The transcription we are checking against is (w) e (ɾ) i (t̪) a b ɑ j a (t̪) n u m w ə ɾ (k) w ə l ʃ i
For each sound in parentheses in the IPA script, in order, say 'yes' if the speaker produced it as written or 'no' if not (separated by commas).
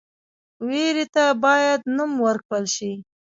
yes, yes, yes, no, yes